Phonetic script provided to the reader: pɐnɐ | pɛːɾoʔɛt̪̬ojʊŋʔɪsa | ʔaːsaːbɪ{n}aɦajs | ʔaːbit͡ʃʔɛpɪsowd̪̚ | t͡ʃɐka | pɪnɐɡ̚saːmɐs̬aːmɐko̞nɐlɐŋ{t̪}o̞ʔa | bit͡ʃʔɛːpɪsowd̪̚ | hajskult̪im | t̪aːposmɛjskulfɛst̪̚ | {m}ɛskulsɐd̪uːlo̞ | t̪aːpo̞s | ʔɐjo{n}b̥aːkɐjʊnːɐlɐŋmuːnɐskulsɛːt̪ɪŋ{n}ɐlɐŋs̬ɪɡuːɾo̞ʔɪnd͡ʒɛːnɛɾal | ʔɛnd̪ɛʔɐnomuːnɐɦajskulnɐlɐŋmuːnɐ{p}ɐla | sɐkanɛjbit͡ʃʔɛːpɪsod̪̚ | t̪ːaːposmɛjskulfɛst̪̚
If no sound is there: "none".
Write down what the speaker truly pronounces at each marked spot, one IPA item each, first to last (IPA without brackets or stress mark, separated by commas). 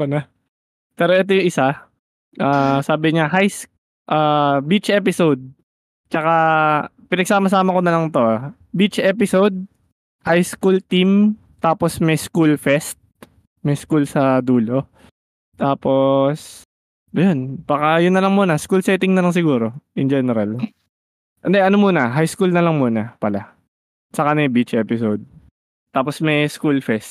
ɲ, t̪, m, n, n, p